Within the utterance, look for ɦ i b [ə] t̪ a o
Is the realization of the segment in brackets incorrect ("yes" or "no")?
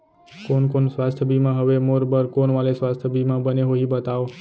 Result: no